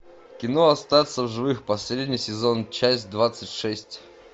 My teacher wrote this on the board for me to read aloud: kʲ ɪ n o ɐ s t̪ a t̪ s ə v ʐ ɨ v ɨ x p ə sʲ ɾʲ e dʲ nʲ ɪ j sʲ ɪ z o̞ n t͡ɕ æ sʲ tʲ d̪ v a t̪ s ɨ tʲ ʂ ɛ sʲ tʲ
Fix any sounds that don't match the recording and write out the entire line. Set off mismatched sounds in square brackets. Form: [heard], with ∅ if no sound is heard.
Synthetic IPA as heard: kʲ ɪ n o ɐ s t̪ a t̪ s ə v ʐ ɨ v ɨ x p [ɐ] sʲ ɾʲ e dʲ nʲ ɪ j sʲ ɪ z o̞ n t͡ɕ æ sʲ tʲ d̪ v a t̪ s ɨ tʲ ʂ ɛ sʲ tʲ